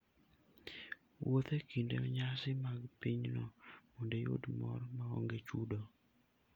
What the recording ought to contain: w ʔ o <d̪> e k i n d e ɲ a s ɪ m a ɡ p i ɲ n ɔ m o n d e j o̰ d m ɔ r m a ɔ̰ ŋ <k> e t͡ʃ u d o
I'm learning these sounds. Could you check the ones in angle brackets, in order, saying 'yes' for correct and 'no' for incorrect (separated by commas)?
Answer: no, no